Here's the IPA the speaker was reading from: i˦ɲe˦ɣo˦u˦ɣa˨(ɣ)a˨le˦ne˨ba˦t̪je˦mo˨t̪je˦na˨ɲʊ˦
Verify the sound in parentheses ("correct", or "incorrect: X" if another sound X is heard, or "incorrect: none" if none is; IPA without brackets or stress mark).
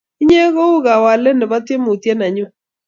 incorrect: w